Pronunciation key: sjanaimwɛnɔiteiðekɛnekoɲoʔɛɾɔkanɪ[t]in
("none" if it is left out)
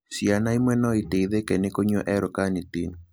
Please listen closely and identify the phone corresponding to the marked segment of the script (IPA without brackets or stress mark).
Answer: t